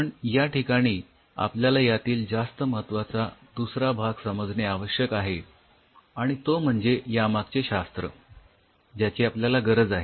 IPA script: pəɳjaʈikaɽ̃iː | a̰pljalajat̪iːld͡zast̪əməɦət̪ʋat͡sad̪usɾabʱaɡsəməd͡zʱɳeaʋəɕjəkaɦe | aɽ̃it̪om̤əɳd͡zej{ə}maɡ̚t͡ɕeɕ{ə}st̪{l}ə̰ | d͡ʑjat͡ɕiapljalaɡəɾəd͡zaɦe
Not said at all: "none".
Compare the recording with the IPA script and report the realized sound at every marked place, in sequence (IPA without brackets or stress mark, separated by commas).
a, a, ɾ